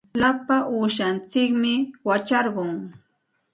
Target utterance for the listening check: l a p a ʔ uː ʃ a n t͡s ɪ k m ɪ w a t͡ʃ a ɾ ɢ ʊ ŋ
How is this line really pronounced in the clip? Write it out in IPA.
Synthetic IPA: l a p a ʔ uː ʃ a n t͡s ɪ k m ɪ w a t͡ʃ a ɾ ɢ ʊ ŋ

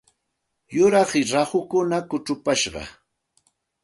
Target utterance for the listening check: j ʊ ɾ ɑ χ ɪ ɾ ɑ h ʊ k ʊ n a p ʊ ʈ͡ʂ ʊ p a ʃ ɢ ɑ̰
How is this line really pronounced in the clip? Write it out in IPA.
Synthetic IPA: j ʊ ɾ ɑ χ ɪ ɾ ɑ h ʊ k ʊ n a k ʊ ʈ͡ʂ ʊ p a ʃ ɢ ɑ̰

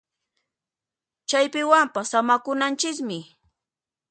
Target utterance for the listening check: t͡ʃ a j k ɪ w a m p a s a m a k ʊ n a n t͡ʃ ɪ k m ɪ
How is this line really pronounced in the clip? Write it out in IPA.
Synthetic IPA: t͡ʃ a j p ɪ w a m p a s a m a k ʊ n a n t͡ʃ ɪ k m ɪ

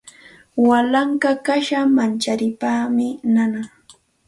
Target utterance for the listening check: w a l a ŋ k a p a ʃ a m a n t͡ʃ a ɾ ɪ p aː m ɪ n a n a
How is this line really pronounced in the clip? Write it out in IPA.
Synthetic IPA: w a l a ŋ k a k a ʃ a m a n t͡ʃ a ɾ ɪ p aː m ɪ n a n a

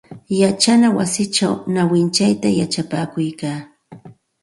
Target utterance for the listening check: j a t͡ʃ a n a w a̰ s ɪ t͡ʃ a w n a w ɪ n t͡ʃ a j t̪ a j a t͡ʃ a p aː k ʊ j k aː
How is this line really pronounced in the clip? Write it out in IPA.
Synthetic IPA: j a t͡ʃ a n a w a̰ s ɪ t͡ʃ a w n a w ɪ n t͡ʃ a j t̪ a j a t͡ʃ a p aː k ʊ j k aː

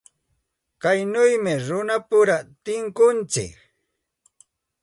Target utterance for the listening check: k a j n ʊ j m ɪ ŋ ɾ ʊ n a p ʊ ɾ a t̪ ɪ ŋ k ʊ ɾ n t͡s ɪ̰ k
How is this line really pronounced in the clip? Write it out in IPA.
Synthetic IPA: k a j n ʊ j m ɪ ɾ ʊ n a p ʊ ɾ a t̪ ɪ ŋ k ʊ n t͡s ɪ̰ k

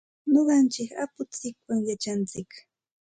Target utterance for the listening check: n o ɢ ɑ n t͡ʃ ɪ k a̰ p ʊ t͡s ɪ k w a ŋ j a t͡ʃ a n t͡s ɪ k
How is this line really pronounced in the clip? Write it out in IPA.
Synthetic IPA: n o ɢ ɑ n t͡ʃ ɪ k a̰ p ʊ t͡s ɪ k w a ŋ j a t͡ʃ a n t͡s ɪ k

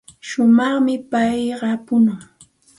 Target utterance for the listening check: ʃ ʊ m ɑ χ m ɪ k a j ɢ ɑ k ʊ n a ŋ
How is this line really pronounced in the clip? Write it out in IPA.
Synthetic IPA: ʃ ʊ m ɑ χ m ɪ p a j ɢ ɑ p ʊ n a ŋ

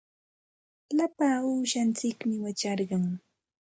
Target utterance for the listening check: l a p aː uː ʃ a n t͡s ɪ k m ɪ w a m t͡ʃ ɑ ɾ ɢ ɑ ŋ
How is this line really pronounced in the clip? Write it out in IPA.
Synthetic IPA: l a p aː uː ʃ a n t͡s ɪ k m ɪ w a t͡ʃ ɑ ɾ ɢ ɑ ŋ

